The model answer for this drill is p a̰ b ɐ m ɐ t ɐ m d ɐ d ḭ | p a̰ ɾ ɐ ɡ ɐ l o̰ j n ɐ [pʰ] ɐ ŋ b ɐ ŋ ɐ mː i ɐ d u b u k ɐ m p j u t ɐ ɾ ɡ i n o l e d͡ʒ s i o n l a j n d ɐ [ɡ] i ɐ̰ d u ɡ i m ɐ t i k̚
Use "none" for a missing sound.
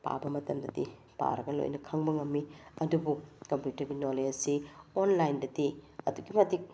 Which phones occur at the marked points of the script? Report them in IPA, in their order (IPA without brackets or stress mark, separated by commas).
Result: kʰ, d